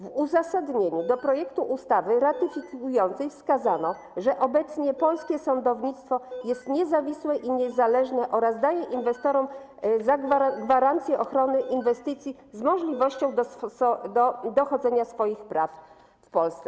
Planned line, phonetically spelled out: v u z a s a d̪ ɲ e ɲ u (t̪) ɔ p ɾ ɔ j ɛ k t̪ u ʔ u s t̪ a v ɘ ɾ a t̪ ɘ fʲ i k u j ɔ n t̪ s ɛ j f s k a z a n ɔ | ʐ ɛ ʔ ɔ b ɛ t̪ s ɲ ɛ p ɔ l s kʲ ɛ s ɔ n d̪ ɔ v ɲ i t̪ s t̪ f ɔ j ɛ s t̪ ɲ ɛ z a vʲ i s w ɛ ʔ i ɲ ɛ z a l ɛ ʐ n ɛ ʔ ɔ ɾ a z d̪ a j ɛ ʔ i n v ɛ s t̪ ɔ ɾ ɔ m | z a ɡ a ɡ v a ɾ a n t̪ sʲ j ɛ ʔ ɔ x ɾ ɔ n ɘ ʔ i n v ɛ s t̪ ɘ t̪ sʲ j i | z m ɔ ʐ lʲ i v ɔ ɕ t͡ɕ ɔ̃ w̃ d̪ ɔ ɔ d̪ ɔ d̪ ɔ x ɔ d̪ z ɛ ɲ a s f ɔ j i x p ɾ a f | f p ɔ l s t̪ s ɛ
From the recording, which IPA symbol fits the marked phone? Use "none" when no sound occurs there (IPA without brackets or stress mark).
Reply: d̪